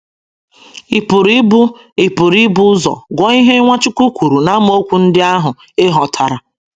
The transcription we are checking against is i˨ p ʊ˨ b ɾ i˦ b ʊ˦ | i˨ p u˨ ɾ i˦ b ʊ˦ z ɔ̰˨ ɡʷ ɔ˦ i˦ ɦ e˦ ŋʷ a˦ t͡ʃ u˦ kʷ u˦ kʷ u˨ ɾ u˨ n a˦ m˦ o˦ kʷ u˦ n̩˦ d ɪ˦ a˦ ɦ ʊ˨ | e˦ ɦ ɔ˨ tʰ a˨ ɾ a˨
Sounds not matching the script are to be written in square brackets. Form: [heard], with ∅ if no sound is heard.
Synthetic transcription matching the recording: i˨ p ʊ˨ [∅] ɾ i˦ b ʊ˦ | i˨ p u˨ ɾ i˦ b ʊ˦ z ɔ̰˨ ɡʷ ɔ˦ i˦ ɦ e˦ ŋʷ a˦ t͡ʃ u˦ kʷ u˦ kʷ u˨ ɾ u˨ n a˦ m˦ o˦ kʷ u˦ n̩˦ d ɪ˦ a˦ ɦ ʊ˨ | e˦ ɦ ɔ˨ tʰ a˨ ɾ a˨